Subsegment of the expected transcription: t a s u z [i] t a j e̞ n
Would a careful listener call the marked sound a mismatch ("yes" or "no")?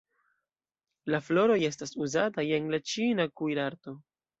yes